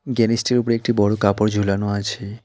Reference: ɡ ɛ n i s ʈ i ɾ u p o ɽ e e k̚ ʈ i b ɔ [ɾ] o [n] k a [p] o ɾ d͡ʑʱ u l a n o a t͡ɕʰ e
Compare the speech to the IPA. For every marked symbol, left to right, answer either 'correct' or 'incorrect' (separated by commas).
incorrect, incorrect, correct